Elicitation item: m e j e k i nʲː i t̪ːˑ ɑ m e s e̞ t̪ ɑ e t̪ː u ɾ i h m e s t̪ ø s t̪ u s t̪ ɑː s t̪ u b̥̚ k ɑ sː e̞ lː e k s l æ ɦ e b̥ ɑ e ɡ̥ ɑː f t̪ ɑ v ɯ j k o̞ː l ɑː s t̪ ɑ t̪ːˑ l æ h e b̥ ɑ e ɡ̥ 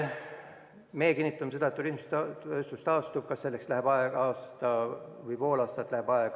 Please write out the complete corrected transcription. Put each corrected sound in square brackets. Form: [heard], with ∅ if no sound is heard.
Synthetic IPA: m e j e k i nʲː i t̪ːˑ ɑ m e s e̞ [d̪] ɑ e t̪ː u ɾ i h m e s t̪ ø s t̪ u s t̪ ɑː s t̪ u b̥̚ k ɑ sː e̞ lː e k s l æ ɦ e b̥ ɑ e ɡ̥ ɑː [s] t̪ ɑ v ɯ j [p] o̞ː l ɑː s t̪ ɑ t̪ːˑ l æ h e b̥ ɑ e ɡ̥